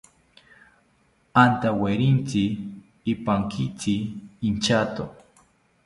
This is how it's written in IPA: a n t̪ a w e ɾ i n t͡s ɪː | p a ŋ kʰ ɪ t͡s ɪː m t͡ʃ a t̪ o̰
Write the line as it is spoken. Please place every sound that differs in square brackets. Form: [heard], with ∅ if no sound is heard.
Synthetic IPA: a n t̪ a w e ɾ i n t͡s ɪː | p a ŋ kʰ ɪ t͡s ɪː [n] t͡ʃ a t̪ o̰